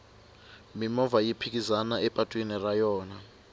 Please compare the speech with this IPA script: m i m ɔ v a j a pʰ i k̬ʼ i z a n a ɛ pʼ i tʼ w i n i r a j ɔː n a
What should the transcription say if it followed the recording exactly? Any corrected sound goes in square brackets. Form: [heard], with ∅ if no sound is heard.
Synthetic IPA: m i m ɔ v a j [i] pʰ i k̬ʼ i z a n a ɛ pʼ [a] tʼ w i n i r a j ɔː n a